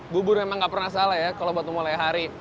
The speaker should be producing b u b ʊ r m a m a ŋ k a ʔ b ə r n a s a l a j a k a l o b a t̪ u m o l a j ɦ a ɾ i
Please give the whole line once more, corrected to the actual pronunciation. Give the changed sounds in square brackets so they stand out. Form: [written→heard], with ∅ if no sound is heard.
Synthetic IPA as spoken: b u b ʊ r m [a→e] m a ŋ [k→ɡ] a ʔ [b→p] ə r n a s a l a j a k a l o b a t̪ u m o l a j ɦ a ɾ i